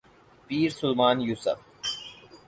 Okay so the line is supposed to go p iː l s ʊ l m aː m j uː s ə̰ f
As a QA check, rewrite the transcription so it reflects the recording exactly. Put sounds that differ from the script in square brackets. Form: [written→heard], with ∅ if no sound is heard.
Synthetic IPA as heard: p iː [l→ɾ] s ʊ l m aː [m→n] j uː s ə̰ f